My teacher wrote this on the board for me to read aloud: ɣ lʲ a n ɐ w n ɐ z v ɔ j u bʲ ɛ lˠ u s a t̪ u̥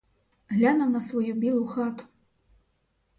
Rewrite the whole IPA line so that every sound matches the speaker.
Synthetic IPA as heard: ɣ lʲ a n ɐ w n ɐ s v ɔ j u bʲ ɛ lˠ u x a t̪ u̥